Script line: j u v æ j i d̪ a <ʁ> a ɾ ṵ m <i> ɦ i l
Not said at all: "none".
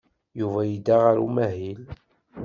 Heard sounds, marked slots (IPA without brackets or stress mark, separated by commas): ʁ, æ